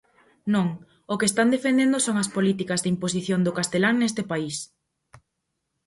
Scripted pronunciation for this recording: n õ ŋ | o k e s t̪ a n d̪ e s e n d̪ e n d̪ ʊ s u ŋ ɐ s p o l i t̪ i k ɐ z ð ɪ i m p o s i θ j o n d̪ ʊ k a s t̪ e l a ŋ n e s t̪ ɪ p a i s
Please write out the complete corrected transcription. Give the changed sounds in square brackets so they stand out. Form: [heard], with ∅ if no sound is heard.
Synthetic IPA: n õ ŋ | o k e s t̪ a n d̪ e [f] e n d̪ e n d̪ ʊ s [o] ŋ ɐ s p o l i t̪ i k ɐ z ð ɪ i m p o s i θ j o n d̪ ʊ k a s t̪ e l a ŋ n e s t̪ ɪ p a i s